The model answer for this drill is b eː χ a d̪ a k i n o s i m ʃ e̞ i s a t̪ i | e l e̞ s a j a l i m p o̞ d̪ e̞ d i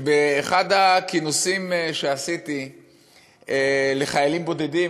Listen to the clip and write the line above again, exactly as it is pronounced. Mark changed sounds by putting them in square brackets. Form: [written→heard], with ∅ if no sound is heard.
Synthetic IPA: b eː χ a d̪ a k i n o s i m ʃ e̞ [i→a] s [a→i] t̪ i | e l e̞ [s→χ] a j a l i m [p→b] o̞ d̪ e̞ d i